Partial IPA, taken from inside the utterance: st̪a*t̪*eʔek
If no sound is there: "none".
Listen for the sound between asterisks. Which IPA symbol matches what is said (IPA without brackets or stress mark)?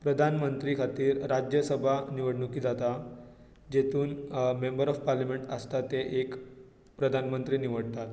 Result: t̪